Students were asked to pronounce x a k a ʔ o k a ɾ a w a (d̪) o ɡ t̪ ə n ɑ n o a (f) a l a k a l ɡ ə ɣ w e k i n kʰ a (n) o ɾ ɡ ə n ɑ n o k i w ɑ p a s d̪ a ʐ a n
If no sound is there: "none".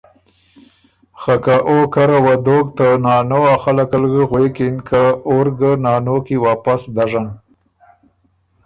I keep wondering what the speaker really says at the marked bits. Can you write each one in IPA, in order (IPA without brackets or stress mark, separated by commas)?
d̪, x, none